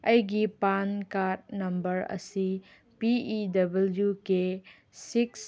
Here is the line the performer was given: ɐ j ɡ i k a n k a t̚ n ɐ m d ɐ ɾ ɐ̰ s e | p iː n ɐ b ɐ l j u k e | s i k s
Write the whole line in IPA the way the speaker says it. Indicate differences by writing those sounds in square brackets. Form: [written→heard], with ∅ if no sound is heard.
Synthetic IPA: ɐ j ɡ i [k→p] a n k a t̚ n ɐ m [d→b] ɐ ɾ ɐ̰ s [e→i] | p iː [n→d] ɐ b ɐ l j u k e | s i k s